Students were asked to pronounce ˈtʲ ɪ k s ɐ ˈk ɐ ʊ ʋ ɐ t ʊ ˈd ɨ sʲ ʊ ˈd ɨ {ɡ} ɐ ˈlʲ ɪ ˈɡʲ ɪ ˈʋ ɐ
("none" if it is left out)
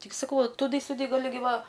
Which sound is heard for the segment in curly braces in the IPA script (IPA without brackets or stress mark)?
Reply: ɡ